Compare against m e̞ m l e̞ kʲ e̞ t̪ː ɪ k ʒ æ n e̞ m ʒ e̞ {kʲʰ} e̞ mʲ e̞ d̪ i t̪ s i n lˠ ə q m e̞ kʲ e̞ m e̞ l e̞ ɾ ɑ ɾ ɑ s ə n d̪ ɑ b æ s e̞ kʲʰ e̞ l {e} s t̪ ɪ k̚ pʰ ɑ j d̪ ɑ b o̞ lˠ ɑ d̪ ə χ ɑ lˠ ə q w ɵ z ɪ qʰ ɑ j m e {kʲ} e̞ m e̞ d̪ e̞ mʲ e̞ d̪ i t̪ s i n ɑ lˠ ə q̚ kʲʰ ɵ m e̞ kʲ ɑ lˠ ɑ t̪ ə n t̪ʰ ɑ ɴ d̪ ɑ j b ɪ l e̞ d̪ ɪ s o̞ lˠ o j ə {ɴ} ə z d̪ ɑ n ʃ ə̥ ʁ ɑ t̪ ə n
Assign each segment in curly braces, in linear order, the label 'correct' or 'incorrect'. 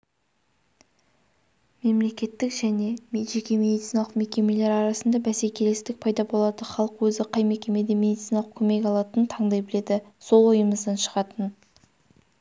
incorrect: kʲ, correct, correct, incorrect: m

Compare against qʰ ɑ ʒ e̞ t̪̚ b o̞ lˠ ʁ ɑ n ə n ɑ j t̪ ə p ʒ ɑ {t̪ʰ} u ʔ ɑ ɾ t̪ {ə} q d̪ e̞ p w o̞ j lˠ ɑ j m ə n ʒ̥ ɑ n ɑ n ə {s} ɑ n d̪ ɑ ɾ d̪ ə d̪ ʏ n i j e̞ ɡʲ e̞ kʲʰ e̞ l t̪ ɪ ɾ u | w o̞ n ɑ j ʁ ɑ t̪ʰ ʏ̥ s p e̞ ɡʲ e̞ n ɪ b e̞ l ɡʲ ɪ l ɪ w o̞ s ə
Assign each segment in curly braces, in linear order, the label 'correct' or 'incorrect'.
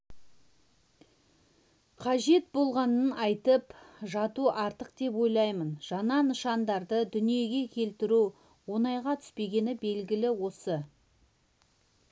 incorrect: t̪, correct, incorrect: ʃ

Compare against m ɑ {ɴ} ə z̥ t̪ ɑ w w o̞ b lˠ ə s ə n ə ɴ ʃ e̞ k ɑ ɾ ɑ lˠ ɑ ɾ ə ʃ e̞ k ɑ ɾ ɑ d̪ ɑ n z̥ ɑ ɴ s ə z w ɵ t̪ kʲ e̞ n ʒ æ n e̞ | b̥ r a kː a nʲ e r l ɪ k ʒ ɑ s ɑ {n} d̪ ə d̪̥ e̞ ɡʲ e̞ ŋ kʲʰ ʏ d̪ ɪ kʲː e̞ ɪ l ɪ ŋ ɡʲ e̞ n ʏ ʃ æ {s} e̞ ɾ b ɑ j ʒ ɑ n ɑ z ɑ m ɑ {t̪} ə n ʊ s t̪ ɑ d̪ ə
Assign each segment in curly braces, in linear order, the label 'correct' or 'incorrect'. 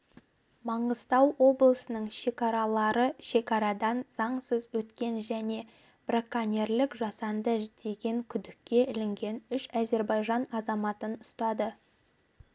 correct, correct, incorrect: z, correct

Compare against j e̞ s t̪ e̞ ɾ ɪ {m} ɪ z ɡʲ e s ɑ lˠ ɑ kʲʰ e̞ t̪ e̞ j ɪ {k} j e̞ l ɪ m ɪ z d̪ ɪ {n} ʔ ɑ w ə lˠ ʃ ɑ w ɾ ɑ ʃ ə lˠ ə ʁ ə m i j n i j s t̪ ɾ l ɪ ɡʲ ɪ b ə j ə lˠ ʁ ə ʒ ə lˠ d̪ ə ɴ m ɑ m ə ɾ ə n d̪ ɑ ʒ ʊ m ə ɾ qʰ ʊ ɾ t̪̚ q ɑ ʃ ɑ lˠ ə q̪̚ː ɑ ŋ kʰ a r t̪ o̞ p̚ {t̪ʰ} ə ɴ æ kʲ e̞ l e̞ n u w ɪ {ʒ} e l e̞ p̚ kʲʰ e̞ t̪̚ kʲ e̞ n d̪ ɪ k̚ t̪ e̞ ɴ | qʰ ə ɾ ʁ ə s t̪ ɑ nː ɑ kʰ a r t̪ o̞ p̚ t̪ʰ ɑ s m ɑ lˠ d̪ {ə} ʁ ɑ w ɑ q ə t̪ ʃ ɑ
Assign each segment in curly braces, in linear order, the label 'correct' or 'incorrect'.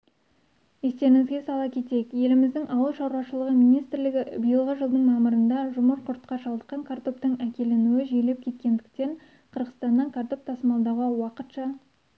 incorrect: ŋ, correct, incorrect: ŋ, incorrect: t̪, correct, incorrect: ɑ

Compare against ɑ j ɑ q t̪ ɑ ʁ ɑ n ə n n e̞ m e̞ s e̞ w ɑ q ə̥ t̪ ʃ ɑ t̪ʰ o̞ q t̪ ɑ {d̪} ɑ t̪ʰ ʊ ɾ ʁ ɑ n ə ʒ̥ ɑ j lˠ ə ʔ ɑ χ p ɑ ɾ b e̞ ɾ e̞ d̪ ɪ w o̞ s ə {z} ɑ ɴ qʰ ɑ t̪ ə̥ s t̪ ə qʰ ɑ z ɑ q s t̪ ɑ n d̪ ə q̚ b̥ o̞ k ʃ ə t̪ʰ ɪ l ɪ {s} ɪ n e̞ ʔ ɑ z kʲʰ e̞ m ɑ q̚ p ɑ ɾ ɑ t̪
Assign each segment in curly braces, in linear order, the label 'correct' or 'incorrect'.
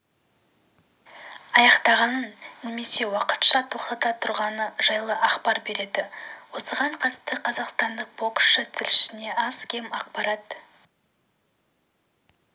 incorrect: t̪, incorrect: ʁ, incorrect: ʃ

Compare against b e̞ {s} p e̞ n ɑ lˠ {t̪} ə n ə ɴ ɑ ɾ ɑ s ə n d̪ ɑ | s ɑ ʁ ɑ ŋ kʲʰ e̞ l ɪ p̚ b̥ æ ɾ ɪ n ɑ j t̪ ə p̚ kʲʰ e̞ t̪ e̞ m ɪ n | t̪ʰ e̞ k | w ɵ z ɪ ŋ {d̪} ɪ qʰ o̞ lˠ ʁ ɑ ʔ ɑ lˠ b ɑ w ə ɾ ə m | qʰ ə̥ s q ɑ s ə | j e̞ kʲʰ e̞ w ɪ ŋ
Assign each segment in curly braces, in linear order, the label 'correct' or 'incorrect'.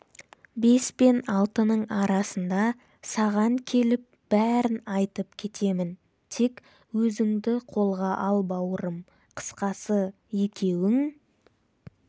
correct, correct, correct

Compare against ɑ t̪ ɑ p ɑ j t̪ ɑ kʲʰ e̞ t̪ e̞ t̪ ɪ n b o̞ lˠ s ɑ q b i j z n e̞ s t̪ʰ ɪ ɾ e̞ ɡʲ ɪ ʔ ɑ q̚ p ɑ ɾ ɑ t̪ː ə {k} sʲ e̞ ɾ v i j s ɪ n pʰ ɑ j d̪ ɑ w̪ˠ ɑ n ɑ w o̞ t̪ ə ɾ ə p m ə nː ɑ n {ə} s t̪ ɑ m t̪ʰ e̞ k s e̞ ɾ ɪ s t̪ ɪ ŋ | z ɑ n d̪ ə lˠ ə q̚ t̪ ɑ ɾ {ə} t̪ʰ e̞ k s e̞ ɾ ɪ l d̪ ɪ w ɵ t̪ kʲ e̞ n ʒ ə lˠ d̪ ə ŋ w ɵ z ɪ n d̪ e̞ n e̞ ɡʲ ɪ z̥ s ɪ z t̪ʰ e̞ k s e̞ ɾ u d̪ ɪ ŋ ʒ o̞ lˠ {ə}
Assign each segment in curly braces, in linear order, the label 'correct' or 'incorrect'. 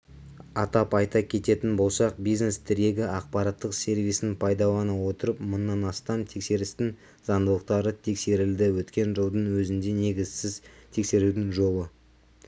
incorrect: q, incorrect: ɑ, correct, correct

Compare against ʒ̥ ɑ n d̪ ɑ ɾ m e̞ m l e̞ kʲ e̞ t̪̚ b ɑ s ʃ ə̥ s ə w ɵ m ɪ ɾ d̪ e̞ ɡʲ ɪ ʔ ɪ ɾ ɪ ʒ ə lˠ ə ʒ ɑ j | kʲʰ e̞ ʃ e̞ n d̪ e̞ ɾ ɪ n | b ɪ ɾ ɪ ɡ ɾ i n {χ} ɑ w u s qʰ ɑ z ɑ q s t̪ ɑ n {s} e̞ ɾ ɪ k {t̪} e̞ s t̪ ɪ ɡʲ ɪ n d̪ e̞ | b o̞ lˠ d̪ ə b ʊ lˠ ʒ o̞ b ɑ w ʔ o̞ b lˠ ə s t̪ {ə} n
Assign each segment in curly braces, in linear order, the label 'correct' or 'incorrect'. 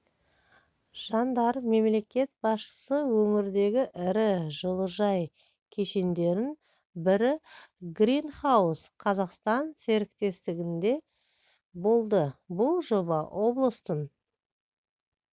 correct, correct, correct, correct

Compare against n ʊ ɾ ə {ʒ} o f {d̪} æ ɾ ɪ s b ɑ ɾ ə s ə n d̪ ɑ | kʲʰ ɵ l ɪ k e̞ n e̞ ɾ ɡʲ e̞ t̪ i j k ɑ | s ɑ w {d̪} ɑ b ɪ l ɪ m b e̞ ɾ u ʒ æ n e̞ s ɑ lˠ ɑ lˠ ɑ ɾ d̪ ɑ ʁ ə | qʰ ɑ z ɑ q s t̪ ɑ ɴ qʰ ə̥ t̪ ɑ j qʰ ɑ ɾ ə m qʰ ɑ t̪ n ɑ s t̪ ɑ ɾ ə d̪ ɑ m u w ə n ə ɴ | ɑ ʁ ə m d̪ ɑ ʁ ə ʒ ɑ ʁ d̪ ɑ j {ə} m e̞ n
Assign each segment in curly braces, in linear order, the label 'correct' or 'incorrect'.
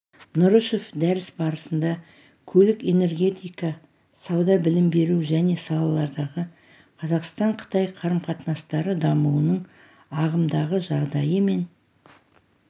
incorrect: ʃ, correct, correct, correct

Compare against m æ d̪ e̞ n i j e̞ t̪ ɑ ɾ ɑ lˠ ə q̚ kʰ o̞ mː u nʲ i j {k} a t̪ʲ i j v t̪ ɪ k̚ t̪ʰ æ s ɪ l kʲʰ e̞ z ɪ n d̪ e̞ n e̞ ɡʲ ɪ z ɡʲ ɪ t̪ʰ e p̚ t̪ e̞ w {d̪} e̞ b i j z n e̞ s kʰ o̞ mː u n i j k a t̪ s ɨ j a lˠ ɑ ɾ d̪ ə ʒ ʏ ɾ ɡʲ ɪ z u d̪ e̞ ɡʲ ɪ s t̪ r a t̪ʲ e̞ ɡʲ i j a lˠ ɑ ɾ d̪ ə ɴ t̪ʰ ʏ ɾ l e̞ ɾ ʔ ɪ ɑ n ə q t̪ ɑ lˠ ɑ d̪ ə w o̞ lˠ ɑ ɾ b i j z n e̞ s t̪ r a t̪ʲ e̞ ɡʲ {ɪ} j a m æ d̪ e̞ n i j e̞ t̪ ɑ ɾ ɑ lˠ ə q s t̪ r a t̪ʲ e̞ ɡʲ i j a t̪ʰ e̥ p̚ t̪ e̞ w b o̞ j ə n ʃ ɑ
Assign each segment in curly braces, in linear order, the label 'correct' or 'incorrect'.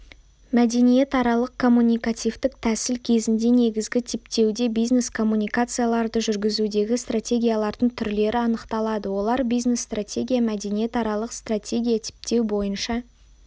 correct, correct, incorrect: i

